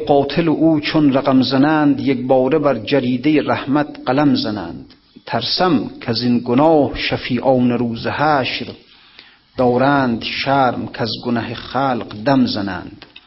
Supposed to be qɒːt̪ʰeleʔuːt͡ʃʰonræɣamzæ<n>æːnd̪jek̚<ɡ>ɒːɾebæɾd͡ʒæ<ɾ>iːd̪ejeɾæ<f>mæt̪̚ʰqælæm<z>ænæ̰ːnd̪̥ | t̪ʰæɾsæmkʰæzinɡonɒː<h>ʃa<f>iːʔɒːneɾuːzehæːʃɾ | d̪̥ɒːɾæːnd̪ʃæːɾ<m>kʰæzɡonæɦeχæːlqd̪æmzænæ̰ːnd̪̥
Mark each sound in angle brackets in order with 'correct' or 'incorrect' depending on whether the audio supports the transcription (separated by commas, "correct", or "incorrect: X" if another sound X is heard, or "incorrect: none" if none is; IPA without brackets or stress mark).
correct, incorrect: b, correct, incorrect: h, correct, correct, correct, correct